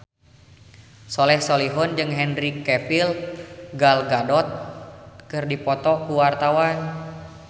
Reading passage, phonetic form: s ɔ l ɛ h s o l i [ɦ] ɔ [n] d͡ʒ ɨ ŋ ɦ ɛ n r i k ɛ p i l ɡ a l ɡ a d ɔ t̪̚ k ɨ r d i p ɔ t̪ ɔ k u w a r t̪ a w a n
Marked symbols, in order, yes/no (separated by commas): yes, yes